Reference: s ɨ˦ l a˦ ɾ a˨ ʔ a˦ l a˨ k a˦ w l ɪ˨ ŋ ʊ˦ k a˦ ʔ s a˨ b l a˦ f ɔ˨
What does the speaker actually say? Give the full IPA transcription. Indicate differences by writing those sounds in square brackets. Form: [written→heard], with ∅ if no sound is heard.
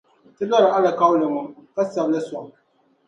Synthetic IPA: [s→t] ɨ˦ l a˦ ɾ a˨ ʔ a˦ l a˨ k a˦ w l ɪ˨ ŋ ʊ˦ k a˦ [ʔ→∅] s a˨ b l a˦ [f→s] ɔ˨